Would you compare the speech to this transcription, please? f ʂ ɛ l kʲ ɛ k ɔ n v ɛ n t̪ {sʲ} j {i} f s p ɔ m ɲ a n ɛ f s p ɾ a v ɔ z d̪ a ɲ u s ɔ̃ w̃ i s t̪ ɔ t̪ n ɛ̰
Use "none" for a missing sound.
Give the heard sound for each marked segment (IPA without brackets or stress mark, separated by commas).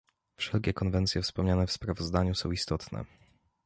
sʲ, ɛ